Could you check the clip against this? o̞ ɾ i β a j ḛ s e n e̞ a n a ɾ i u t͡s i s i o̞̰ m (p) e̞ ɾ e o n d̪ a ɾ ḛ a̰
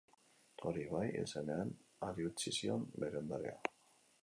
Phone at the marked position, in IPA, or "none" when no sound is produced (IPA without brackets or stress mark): b